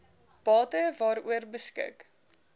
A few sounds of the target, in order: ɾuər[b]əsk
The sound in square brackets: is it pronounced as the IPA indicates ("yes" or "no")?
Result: yes